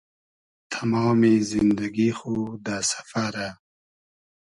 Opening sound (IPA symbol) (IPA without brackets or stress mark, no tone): t̪ʰ